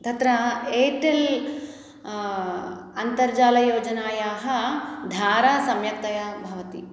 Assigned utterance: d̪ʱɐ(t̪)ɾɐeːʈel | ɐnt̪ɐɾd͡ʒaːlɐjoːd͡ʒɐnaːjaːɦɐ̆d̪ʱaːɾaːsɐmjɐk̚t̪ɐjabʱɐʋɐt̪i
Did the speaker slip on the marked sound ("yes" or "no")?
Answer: no